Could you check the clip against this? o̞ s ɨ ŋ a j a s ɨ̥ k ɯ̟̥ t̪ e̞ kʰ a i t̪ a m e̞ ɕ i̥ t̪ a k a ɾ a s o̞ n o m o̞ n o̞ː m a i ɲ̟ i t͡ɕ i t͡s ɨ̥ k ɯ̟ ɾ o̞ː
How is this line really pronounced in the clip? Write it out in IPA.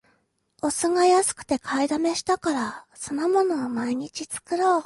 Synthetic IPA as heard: o̞ s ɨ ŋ a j a s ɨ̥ k ɯ̟̥ t̪ e̞ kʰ a i d̪ a m e̞ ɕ i̥ t̪ a k a ɾ a s o̞ n o m o̞ n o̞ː m a i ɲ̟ i t͡ɕ i t͡s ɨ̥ k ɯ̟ ɾ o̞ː